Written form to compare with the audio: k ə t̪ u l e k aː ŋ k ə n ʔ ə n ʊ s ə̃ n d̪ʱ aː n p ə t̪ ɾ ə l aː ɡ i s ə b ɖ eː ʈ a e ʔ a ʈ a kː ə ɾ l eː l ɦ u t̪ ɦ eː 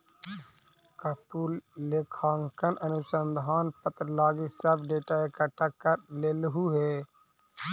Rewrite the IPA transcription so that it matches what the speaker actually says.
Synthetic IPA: k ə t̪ u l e kʰ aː ŋ k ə n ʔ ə n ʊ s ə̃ n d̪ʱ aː n p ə t̪ ɾ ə l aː ɡ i s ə b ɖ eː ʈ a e k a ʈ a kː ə ɾ l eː l ɦ u ɦ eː